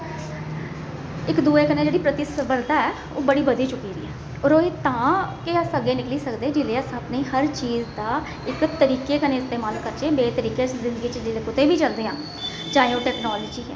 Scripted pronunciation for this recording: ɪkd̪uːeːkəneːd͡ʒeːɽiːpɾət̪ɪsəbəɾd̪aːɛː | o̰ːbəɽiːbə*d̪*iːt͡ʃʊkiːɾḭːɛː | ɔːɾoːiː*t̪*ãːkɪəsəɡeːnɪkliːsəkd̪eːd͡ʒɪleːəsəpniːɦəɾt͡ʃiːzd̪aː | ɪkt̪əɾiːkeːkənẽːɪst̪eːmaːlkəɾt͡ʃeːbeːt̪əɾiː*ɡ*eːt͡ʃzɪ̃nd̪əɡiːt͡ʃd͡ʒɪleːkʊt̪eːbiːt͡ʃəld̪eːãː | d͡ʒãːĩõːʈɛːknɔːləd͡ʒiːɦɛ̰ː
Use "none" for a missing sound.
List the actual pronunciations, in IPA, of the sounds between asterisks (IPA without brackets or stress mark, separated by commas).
d̪, t̪, k